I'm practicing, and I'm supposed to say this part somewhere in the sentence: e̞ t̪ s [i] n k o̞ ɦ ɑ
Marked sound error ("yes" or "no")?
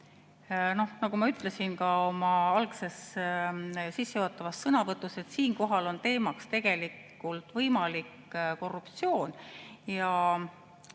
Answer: yes